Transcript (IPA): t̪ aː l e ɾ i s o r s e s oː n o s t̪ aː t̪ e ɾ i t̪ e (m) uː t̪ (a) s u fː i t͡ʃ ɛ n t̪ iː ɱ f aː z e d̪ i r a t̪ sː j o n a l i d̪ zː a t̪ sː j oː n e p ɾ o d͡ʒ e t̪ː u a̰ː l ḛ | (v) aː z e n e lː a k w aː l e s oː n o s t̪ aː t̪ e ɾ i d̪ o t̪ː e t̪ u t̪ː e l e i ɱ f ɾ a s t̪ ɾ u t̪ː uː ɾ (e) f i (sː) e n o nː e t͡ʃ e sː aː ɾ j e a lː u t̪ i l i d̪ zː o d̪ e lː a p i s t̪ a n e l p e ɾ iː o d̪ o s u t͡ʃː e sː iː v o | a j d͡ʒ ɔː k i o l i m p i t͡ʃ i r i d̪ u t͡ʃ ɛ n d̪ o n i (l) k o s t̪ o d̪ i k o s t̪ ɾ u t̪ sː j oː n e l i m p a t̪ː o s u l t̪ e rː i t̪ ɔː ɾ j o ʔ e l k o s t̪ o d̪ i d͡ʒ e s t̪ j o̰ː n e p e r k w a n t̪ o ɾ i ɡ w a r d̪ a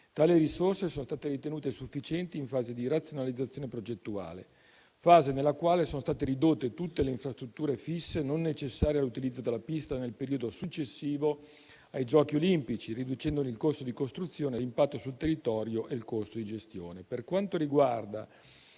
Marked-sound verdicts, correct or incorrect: incorrect: n, incorrect: e, incorrect: f, correct, correct, correct

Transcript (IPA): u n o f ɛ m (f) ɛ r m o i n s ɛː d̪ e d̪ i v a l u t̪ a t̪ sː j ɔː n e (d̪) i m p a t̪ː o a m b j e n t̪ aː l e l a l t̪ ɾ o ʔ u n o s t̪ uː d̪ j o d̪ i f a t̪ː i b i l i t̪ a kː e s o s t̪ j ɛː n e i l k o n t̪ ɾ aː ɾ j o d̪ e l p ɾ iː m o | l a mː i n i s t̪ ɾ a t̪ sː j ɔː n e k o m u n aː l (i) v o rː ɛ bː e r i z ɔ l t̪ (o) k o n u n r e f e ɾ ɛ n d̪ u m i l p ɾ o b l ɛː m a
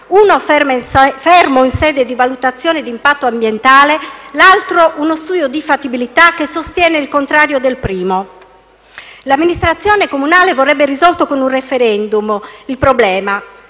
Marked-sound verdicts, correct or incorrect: correct, correct, incorrect: e, correct

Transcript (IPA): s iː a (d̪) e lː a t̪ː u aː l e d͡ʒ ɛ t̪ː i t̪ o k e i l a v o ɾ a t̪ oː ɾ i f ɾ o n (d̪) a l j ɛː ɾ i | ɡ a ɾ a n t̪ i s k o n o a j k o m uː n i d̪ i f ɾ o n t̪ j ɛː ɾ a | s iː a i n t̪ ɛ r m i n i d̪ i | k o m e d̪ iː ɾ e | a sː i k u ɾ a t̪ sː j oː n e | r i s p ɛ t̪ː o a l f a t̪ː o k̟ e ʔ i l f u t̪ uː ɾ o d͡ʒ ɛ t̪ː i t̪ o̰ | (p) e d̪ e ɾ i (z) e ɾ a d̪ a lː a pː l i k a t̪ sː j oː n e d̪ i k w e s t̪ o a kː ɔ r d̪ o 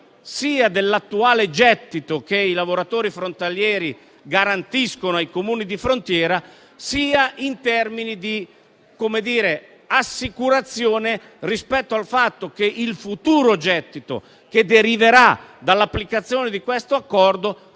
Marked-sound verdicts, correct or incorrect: correct, incorrect: t̪, incorrect: k, incorrect: v

